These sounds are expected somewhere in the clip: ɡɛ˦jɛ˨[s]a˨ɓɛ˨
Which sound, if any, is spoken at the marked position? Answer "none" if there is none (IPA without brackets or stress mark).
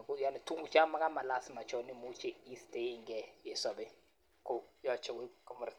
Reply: s